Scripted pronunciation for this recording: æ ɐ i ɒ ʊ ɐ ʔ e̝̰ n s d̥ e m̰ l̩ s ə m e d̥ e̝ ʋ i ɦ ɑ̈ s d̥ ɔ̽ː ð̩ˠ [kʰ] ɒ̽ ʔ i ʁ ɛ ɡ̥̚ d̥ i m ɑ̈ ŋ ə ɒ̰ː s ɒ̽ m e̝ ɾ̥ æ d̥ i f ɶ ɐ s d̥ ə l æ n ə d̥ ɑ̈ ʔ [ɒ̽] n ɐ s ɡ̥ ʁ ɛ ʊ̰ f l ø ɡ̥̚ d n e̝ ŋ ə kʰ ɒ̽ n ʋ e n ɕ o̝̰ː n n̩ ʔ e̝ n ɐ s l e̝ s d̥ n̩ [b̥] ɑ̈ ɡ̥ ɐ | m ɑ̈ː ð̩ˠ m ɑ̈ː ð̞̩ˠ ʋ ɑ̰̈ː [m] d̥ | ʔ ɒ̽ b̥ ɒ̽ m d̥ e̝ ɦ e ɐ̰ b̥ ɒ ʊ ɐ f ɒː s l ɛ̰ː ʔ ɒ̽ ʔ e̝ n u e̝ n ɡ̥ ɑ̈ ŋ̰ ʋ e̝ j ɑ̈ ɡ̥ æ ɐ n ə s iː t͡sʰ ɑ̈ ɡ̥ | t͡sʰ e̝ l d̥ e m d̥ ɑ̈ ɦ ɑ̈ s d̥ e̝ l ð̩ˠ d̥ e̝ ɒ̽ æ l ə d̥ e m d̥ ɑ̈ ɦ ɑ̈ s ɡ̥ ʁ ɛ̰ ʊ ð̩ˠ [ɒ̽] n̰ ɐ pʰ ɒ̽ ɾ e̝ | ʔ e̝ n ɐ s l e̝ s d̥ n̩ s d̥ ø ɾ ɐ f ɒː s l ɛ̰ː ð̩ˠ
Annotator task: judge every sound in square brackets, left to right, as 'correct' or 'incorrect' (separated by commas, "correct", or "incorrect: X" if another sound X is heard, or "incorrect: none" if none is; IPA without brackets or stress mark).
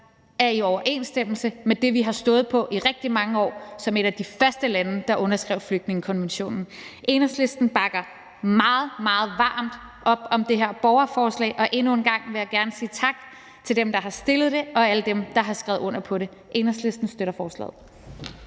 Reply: incorrect: pʰ, incorrect: ɔ̽, correct, correct, incorrect: ɔ̽